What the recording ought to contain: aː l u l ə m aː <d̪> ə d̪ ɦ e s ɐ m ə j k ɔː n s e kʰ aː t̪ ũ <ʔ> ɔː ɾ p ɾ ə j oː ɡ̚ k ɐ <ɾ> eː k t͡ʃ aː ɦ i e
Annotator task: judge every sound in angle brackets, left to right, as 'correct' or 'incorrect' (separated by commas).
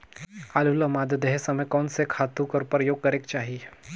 correct, incorrect, correct